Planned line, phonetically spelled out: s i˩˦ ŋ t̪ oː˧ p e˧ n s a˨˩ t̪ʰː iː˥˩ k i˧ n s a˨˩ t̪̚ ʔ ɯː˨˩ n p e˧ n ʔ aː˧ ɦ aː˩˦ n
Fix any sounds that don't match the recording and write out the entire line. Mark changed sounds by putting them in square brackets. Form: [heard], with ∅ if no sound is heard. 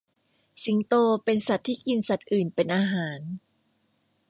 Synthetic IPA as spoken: s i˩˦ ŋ t̪ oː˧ p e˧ n s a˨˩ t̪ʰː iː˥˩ k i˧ n s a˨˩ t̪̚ ʔ ɯː˨˩ n p e˧ n ʔ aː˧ ɦ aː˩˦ n